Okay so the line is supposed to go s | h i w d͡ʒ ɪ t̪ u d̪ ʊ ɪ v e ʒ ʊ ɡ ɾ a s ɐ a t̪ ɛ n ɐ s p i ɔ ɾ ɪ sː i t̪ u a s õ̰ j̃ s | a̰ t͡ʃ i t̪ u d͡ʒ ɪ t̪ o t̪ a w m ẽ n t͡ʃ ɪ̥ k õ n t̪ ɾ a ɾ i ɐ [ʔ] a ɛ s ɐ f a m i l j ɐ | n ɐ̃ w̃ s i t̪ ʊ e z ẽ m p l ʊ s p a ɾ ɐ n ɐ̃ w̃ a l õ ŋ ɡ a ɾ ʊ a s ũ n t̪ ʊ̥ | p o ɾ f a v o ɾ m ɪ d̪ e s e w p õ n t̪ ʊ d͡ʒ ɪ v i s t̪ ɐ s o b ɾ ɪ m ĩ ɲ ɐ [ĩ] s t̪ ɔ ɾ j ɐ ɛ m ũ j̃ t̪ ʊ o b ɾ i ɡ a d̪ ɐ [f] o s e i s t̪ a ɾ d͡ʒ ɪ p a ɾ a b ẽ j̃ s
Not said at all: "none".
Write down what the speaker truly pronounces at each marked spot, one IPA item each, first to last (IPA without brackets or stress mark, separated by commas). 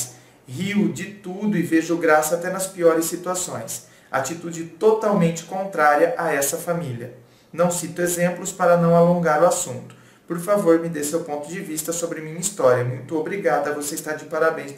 ʔ, i, v